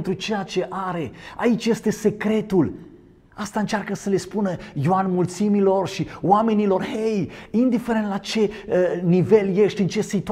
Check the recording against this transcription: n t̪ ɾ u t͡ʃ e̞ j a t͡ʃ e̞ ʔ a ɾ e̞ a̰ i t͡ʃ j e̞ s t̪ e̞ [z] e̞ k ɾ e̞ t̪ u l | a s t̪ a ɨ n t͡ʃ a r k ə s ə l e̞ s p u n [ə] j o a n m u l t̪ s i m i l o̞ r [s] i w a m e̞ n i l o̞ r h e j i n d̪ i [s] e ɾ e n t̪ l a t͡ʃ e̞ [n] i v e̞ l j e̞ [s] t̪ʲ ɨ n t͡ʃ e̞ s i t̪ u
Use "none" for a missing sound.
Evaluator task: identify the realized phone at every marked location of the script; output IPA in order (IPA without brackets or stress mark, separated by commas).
s, ə, ʃ, f, n, ʃ